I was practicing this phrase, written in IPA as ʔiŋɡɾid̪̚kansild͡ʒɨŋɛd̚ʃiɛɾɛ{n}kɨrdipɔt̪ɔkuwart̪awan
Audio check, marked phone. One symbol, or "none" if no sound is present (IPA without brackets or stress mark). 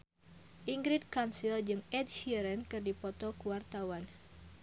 n